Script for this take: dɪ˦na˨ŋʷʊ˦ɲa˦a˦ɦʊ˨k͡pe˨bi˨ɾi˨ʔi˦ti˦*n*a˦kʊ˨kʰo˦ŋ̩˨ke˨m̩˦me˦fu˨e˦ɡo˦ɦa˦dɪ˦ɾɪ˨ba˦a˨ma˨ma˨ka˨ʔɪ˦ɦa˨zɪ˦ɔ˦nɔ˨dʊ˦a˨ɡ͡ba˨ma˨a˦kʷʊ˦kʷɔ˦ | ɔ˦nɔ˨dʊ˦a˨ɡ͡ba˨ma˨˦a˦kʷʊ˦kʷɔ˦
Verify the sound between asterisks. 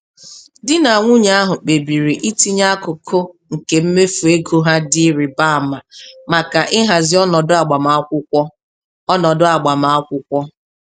incorrect: ɲ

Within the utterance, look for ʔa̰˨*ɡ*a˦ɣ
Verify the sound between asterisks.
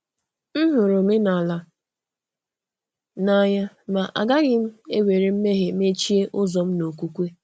correct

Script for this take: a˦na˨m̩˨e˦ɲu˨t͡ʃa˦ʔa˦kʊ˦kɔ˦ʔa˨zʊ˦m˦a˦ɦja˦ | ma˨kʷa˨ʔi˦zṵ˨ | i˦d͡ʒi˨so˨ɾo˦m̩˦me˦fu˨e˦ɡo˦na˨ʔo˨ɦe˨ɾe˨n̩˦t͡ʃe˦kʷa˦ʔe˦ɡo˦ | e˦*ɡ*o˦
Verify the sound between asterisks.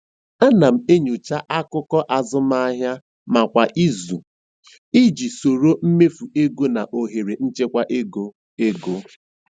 correct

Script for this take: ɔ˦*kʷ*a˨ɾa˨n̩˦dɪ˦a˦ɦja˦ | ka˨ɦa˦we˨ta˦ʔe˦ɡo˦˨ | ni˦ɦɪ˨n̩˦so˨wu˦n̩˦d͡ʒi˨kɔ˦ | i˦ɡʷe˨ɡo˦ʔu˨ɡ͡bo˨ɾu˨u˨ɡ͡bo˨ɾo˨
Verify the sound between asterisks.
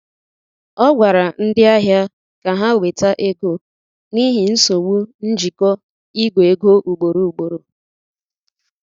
incorrect: ɡʷ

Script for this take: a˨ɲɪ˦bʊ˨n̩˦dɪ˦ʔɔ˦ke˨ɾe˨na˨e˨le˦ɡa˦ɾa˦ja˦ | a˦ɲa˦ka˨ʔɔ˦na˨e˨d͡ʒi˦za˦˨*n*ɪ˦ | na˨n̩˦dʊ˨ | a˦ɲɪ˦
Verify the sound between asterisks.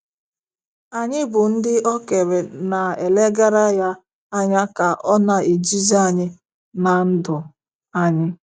incorrect: ɲ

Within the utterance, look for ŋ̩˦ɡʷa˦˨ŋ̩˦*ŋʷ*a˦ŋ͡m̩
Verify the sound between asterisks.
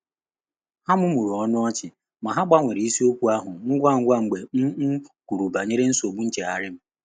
incorrect: ɡʷ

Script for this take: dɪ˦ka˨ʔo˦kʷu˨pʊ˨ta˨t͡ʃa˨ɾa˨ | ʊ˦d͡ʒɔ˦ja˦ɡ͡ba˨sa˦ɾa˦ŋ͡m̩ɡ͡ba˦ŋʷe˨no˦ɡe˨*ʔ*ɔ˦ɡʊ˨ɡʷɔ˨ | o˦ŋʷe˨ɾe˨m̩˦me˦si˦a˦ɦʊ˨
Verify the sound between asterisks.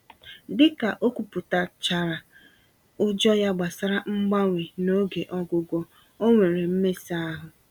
correct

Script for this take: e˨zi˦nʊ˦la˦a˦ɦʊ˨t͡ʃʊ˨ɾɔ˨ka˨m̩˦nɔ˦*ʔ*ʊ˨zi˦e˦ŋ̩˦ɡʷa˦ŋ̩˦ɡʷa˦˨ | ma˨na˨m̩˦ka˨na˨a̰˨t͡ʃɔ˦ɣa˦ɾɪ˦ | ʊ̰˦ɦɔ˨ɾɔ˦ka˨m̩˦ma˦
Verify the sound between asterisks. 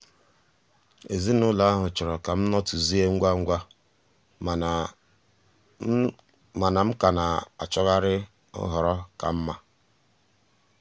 incorrect: t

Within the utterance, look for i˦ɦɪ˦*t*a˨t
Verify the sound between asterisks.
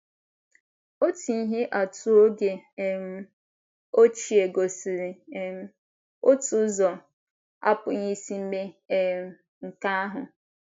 incorrect: ʔ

